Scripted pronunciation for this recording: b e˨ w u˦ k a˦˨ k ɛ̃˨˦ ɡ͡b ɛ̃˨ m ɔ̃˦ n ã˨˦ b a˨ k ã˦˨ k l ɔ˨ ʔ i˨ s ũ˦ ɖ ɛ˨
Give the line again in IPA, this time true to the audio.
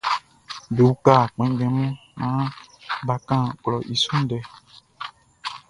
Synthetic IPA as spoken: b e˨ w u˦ k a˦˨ k͡p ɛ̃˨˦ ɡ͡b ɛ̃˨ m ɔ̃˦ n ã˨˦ b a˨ k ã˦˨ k l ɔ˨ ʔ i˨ s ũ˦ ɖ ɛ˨